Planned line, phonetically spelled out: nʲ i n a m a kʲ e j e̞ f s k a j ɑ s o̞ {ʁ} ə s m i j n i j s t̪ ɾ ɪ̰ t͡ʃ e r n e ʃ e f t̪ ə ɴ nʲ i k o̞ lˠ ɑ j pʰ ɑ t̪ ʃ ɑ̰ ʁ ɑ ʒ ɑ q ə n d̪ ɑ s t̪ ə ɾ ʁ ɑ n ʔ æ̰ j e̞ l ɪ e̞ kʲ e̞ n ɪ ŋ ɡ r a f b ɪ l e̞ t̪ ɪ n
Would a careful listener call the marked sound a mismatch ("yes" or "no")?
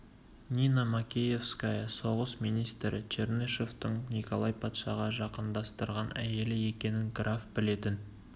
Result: no